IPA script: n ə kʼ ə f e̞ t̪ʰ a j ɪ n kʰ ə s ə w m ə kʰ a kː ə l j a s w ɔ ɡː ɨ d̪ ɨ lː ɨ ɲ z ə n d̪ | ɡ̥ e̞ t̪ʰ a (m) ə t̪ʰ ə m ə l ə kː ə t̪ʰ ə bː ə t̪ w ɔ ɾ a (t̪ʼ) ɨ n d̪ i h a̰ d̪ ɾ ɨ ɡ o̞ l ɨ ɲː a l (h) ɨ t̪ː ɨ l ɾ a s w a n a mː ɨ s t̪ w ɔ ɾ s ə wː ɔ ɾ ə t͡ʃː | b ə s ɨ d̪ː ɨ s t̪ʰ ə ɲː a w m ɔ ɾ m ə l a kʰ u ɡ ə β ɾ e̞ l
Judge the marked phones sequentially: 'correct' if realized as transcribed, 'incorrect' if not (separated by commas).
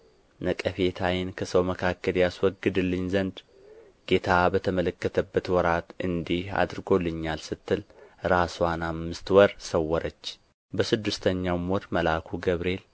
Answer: incorrect, incorrect, incorrect